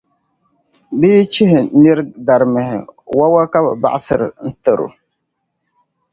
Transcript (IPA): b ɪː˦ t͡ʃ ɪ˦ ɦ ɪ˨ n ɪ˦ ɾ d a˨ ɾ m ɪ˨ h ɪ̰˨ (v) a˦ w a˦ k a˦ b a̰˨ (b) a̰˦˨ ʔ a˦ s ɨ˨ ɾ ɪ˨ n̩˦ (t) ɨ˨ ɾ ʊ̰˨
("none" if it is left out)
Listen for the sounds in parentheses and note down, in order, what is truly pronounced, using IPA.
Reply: w, b, t

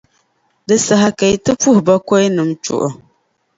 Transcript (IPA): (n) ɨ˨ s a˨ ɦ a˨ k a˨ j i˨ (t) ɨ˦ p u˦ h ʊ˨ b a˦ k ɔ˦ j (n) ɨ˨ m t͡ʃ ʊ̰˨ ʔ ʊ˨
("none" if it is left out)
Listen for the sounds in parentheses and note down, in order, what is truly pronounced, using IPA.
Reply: d, t, n

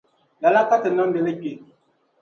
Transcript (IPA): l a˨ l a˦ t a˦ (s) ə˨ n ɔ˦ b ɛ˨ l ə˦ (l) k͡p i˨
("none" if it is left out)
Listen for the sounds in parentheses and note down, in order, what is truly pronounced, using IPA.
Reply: t, none

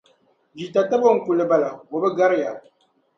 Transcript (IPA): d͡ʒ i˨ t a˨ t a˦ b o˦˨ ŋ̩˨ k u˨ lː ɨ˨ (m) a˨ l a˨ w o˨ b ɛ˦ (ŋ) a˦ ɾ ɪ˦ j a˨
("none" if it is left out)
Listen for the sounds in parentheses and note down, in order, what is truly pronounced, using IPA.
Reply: b, ɡ

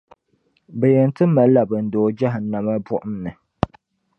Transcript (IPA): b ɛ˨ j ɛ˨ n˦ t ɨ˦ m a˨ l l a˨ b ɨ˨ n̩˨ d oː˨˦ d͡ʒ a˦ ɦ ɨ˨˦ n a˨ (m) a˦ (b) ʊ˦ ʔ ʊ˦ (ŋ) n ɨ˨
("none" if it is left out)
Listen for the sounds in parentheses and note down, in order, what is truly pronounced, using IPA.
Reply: m, b, m

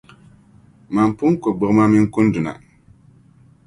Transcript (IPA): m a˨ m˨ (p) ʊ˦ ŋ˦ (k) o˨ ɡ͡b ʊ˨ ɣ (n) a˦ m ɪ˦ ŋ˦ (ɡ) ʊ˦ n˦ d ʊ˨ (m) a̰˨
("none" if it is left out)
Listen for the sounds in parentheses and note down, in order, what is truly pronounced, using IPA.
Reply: p, k, m, k, n

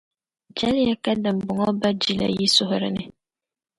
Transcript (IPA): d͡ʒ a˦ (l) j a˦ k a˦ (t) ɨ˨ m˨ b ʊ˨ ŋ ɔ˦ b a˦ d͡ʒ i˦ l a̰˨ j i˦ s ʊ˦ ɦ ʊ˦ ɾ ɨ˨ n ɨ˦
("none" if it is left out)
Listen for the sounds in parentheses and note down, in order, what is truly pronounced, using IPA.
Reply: l, d

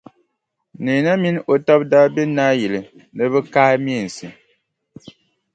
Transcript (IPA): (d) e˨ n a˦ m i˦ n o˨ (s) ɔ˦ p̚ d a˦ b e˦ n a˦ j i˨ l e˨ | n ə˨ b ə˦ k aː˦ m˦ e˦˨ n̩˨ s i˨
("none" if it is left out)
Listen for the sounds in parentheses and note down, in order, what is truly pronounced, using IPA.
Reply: n, t

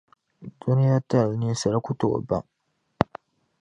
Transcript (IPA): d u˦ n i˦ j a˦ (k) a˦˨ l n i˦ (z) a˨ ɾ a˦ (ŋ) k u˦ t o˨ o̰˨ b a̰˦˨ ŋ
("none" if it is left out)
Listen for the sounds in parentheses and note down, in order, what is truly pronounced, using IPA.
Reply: t, s, none

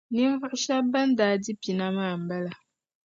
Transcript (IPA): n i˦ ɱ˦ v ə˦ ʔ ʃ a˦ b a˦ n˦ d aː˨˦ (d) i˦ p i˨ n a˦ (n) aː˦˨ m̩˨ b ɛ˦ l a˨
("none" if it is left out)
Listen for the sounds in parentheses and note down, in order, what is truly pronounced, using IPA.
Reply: d, m

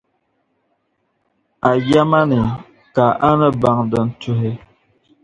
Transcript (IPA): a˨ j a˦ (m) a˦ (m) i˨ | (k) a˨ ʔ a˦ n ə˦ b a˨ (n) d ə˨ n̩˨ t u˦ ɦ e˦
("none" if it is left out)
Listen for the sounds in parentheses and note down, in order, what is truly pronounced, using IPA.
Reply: m, n, k, ŋ

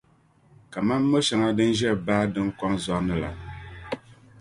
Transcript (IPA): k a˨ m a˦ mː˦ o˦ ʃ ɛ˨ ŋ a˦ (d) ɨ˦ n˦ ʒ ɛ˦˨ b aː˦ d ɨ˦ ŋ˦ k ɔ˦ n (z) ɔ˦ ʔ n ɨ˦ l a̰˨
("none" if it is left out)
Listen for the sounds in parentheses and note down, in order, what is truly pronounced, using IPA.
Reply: d, z

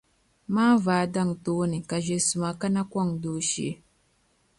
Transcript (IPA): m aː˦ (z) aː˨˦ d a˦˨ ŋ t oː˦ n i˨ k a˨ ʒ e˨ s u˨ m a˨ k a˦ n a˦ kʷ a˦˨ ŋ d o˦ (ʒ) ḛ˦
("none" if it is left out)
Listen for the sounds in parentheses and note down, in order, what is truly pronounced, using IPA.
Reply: v, ʃ

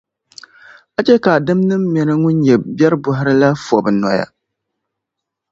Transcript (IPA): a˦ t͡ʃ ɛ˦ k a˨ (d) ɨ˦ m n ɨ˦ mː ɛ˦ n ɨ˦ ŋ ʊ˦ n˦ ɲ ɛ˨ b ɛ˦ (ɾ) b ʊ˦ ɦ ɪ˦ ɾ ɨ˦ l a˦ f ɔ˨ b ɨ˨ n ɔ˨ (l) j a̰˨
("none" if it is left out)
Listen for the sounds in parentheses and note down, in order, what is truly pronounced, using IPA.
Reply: d, ɾ, none

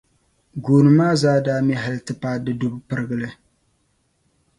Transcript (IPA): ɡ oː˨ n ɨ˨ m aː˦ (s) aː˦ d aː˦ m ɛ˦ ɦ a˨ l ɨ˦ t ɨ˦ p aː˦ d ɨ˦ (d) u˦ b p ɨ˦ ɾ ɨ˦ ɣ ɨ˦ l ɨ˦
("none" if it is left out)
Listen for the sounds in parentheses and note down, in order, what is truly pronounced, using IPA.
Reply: z, d

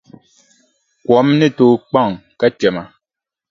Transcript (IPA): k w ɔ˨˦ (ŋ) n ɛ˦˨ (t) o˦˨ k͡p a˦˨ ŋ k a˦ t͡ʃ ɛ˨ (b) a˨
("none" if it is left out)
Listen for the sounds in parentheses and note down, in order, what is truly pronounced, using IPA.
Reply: m, t, m

